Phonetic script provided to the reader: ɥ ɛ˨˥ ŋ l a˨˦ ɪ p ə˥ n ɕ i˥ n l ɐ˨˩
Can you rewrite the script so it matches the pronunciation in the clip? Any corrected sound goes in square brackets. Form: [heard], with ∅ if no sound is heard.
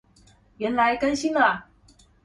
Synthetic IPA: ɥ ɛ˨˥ [n] l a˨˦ ɪ [k] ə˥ n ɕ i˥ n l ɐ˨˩